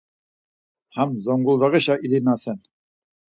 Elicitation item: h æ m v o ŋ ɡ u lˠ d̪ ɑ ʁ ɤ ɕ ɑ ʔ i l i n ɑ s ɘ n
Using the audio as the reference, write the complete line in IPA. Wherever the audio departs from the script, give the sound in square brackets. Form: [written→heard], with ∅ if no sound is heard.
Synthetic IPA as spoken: h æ m [v→z] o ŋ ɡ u lˠ d̪ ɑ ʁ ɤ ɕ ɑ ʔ i l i n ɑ s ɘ n